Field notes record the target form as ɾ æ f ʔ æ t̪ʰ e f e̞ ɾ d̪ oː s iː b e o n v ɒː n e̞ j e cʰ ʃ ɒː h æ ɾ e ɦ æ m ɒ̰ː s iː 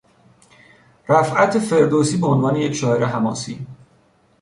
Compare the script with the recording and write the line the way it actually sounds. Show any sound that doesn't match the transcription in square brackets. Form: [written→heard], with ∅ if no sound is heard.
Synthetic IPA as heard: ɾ æ f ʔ æ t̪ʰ e f e̞ ɾ d̪ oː s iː b e o n v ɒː n e̞ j e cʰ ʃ ɒː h [æ→e] ɾ e ɦ æ m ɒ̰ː s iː

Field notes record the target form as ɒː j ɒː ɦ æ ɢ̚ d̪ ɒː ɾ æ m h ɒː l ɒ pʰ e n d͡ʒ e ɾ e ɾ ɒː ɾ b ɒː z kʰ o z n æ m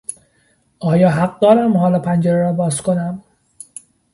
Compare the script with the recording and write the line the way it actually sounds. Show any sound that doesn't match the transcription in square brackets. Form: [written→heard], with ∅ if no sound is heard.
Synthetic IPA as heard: ɒː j ɒː ɦ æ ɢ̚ d̪ ɒː ɾ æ m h ɒː l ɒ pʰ [e→æ] n d͡ʒ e ɾ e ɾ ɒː [ɾ→∅] b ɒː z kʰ o [z→∅] n æ m

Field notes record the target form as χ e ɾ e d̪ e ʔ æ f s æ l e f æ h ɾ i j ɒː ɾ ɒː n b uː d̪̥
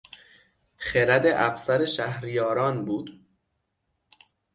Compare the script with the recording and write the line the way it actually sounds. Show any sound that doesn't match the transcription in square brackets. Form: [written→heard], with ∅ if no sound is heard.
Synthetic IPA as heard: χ e ɾ [e→æ] d̪ e ʔ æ f s æ [l→ɾ] e [f→ʃ] æ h ɾ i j ɒː ɾ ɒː n b uː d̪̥

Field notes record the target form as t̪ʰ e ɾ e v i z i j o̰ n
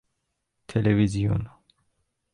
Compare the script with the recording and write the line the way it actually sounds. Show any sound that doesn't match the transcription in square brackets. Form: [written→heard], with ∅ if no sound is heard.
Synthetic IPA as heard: t̪ʰ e [ɾ→l] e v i z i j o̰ n

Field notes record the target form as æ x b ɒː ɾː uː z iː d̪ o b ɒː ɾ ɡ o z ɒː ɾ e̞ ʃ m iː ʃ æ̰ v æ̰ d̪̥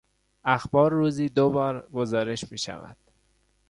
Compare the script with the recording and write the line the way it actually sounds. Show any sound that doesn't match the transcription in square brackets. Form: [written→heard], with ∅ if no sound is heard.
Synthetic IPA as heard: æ x b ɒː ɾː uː z iː d̪ o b ɒː ɾ ɡ o z ɒː ɾ e̞ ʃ m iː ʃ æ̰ v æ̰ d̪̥

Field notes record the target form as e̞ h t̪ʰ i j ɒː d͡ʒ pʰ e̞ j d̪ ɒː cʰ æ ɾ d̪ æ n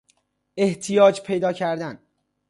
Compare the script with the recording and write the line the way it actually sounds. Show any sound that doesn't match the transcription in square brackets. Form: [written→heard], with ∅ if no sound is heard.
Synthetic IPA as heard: e̞ h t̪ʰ i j ɒː d͡ʒ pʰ e̞ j d̪ ɒː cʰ æ ɾ d̪ æ n

